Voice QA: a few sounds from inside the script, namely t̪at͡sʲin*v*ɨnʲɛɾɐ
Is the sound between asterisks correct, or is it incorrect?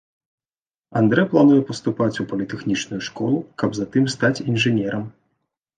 incorrect: ʐ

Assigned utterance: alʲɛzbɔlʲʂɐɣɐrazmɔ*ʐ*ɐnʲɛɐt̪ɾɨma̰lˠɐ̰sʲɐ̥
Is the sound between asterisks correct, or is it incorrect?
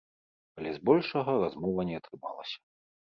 incorrect: v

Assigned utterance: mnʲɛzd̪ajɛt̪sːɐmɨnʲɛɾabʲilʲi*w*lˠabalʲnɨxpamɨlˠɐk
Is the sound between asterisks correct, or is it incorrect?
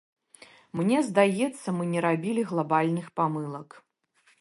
incorrect: ɣ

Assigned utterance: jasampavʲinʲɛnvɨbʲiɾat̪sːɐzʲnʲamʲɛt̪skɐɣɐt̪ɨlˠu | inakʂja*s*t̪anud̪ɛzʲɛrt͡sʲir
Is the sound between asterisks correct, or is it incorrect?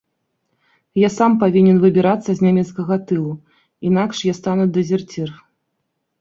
correct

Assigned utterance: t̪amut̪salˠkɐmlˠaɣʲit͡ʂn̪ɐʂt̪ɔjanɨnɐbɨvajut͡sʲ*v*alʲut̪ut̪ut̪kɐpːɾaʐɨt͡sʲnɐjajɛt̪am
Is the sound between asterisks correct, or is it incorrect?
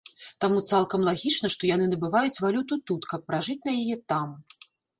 correct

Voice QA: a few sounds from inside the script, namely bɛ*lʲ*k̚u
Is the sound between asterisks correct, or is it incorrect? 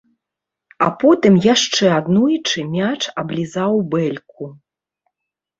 correct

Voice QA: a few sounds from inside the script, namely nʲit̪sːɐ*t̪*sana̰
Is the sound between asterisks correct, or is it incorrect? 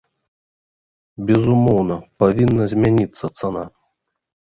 correct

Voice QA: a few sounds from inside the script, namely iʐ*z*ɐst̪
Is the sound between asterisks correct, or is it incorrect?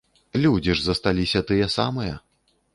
correct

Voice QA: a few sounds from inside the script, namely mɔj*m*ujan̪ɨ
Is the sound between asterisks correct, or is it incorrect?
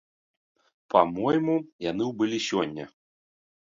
correct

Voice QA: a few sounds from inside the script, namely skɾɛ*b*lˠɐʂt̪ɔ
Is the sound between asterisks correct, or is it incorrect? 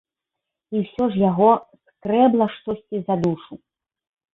correct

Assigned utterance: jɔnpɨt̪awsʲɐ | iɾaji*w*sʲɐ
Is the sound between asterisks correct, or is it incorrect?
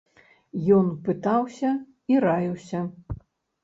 correct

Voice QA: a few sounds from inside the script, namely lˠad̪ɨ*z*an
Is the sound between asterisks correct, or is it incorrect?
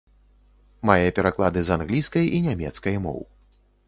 correct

